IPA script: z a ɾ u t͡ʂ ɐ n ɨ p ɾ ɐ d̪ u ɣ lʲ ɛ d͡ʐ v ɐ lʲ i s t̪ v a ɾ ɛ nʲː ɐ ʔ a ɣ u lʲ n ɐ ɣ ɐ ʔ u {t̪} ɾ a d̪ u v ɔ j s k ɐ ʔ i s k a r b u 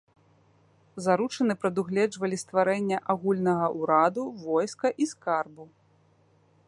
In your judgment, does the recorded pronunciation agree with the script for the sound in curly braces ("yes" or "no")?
no